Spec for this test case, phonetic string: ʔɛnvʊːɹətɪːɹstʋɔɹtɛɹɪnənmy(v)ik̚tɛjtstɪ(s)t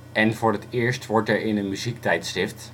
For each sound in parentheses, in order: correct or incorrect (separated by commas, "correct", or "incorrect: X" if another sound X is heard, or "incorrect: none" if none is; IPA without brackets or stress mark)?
incorrect: z, incorrect: f